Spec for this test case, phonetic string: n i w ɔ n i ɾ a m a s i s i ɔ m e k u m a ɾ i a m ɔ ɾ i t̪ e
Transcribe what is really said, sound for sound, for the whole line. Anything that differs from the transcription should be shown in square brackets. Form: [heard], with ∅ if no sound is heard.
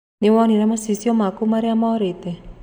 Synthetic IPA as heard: n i w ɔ n i ɾ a m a s i s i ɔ m [a] k u m a ɾ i a m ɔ ɾ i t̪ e